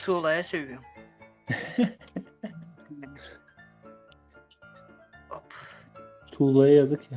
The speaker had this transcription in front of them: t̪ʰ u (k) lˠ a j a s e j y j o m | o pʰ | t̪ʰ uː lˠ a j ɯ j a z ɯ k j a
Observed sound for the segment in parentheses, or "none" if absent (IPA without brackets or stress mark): none